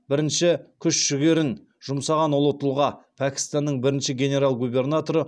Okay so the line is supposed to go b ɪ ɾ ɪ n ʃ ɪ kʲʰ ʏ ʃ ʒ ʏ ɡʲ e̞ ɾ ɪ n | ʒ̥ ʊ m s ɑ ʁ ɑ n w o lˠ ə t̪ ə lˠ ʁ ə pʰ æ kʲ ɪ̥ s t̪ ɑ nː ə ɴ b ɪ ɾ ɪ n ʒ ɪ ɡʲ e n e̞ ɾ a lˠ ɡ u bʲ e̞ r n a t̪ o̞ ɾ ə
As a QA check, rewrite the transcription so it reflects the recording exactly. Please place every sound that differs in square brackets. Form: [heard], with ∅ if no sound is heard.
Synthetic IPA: b ɪ ɾ ɪ n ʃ ɪ kʲʰ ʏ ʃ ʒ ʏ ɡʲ e̞ ɾ ɪ n | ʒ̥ ʊ m s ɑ ʁ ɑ n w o lˠ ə t̪ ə lˠ ʁ [ɑ] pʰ æ kʲ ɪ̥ s t̪ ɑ nː ə ɴ b ɪ ɾ ɪ n [ʃ] ɪ ɡʲ e n e̞ ɾ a lˠ ɡ u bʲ e̞ r n a t̪ o̞ ɾ ə